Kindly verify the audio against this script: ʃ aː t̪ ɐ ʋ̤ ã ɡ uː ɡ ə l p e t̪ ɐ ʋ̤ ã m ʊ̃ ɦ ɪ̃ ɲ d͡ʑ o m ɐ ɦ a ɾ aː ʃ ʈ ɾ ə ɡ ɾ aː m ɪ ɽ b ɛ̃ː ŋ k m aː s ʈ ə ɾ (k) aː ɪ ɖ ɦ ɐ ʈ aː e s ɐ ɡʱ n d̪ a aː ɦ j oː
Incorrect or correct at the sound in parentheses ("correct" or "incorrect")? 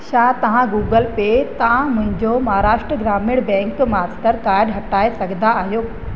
correct